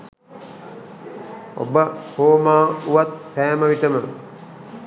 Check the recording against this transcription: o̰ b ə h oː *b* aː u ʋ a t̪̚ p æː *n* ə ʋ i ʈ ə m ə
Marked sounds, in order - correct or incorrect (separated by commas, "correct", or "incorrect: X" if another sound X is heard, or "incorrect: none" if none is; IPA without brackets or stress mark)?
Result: incorrect: m, incorrect: m